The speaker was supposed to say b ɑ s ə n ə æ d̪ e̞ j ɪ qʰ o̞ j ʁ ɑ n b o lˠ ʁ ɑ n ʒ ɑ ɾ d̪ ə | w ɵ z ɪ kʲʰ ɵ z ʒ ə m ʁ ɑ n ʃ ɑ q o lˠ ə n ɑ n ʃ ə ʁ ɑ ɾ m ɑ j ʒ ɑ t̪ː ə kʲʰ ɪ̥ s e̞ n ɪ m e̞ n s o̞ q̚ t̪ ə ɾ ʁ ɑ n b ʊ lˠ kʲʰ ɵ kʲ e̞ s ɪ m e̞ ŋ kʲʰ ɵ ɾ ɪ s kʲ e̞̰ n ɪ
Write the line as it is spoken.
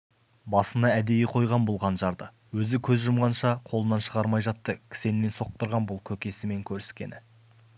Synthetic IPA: b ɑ s ə n ɑ æ d̪ e̞ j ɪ qʰ o̞ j ʁ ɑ n b o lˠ ʁ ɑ n ʒ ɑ ɾ d̪ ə | w ɵ z ɪ kʲʰ ɵ z ʒ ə m ʁ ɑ n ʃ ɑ qʰ o lˠ ə n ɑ n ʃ ə ʁ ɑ ɾ m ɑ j ʒ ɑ t̪ː ə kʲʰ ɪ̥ s e̞ n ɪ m e̞ n s o̞ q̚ t̪ ə ɾ ʁ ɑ n b ʊ lˠ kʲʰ ɵ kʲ e̞ s ɪ m e̞ ŋ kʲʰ ɵ ɾ ɪ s kʲ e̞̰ n ɪ